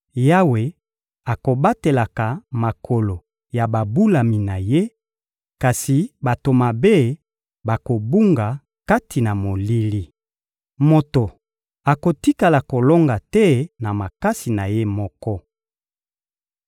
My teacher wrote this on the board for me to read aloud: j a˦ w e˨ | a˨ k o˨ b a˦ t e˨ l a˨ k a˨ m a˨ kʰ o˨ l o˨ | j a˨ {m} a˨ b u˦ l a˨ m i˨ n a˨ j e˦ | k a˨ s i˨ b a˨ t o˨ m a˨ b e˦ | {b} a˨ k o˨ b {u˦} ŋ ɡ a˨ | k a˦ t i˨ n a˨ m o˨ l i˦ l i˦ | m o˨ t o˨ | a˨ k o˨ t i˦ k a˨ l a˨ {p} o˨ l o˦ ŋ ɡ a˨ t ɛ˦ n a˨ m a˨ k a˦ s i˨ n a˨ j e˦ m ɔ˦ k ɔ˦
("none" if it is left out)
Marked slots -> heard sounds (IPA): b, b, u˦, k

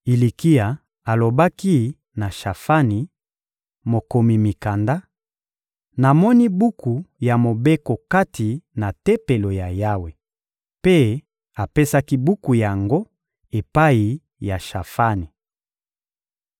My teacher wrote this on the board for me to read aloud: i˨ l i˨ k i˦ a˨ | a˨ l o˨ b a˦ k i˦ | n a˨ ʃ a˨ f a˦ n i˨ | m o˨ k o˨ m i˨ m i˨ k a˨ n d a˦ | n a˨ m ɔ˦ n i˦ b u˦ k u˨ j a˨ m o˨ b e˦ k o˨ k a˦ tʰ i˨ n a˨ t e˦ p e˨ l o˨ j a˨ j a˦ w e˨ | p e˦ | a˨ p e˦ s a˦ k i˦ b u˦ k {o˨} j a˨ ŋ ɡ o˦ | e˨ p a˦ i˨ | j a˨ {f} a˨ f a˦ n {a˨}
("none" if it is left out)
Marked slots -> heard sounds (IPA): u˨, ʃ, i˨

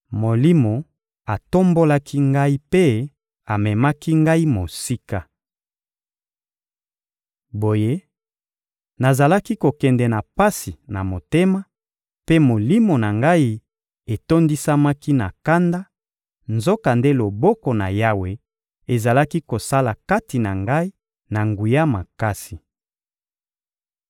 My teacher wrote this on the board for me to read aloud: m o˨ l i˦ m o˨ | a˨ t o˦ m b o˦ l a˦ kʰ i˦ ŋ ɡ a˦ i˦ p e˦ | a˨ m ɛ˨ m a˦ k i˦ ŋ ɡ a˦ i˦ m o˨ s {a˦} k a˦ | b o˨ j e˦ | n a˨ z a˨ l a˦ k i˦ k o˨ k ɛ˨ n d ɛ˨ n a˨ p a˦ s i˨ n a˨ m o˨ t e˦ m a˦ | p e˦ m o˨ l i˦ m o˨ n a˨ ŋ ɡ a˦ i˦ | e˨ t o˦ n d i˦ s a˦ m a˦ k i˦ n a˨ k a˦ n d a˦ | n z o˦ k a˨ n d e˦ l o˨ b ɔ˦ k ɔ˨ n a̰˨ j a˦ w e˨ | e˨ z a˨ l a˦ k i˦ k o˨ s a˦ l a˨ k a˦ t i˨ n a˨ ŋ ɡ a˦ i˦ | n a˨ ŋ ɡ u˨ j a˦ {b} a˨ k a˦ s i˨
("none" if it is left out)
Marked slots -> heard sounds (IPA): i˦, m

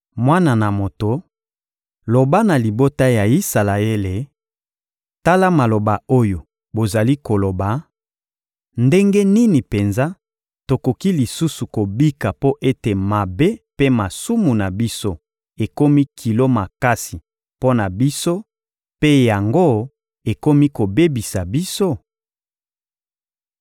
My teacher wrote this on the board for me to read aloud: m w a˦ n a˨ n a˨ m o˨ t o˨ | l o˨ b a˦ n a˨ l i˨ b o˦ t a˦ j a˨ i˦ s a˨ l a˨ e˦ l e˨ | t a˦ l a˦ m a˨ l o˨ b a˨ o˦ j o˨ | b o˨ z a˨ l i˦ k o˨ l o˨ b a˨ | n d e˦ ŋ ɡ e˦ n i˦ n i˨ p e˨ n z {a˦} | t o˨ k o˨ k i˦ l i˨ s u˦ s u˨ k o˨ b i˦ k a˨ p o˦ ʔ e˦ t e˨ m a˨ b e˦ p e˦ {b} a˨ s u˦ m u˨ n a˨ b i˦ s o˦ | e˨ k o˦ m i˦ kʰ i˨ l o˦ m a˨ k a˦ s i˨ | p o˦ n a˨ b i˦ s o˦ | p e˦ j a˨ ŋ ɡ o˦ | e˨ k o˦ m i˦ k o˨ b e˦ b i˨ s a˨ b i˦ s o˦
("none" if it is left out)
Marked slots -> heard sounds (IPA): a˦, m

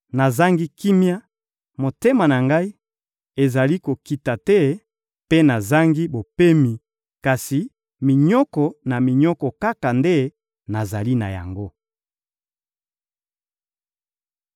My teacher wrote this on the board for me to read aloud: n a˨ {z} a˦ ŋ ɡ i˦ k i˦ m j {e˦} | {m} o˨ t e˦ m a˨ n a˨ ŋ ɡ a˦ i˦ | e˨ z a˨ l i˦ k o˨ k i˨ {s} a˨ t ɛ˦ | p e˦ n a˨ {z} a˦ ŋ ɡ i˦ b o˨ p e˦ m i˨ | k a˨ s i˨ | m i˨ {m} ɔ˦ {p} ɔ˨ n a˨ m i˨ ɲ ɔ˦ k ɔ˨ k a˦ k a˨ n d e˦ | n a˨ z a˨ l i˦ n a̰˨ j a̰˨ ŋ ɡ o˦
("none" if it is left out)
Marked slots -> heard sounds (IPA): z, a˦, m, t, z, ɲ, k

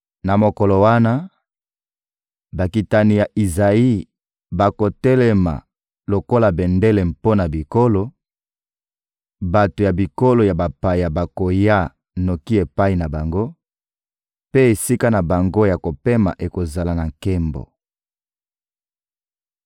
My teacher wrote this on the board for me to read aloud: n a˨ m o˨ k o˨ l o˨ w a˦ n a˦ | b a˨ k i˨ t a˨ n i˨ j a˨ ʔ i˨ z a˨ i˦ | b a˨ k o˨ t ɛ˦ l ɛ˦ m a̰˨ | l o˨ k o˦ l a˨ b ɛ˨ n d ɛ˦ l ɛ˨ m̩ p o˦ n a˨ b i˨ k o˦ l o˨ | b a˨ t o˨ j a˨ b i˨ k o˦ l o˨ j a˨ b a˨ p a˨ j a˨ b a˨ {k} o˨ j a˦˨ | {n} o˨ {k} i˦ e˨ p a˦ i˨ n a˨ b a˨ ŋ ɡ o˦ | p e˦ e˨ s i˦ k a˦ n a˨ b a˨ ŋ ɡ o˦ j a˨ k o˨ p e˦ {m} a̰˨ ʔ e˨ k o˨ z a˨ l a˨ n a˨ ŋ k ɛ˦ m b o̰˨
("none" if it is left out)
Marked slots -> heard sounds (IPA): k, n, k, m

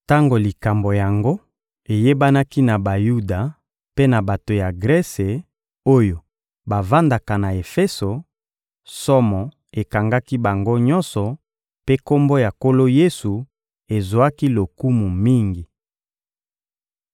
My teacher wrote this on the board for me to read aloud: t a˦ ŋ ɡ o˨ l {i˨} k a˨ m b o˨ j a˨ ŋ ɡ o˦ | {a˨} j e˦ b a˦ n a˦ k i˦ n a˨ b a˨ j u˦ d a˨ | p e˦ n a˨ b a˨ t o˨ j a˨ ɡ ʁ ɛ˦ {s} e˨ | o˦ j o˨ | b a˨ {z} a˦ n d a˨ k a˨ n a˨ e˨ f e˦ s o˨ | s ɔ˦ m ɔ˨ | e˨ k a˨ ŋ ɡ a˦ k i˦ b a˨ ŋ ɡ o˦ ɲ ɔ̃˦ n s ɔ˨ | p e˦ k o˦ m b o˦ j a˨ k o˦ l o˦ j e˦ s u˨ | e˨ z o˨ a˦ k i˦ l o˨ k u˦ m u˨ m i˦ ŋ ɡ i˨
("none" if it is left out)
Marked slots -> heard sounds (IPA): i˨, e˨, s, v

